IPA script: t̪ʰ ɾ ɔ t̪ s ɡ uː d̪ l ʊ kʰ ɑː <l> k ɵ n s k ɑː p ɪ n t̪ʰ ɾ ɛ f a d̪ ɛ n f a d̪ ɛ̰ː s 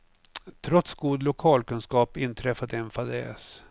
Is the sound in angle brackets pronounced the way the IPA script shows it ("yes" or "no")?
yes